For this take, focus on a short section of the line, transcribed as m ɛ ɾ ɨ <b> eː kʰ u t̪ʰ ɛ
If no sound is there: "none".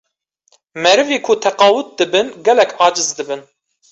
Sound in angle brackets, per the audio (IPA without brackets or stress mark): v